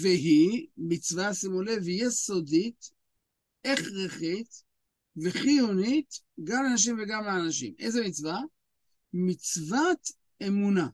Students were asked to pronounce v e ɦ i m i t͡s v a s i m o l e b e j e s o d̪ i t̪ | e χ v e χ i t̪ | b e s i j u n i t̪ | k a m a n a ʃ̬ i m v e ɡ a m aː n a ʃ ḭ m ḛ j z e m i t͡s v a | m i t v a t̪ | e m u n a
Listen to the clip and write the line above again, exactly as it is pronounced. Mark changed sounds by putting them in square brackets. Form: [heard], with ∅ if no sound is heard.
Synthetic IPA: v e ɦ i m i t͡s v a s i m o l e [v] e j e s o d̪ i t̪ | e χ [ʁ] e χ i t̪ | [v] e [χ] i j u n i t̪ | [ɡ] a m a n a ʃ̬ i m v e ɡ a m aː n a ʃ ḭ m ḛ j z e m i t͡s v a | m i [t͡s] v a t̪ | e m u n a